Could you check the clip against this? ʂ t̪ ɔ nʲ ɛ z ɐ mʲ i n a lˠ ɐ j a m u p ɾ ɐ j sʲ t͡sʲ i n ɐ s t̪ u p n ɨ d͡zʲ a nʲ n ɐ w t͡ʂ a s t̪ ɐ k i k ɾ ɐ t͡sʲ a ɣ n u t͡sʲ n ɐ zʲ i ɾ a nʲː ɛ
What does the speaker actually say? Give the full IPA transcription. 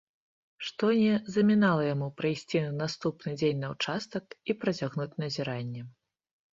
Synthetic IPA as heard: ʂ t̪ ɔ nʲ ɛ z ɐ mʲ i n a lˠ ɐ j a m u p ɾ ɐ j sʲ t͡sʲ i n a s t̪ u p n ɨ d͡zʲ e nʲ n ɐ w t͡ʂ a s t̪ ɐ k i p ɾ ɐ t͡sʲ a ɣ n u t͡sʲ n ɐ zʲ i ɾ a nʲː ɛ